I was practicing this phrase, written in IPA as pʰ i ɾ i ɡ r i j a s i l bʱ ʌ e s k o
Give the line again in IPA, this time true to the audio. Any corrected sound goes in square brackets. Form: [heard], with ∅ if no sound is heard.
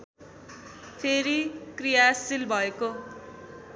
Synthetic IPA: pʰ [e] ɾ i [k] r i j a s i l bʱ ʌ e [∅] k o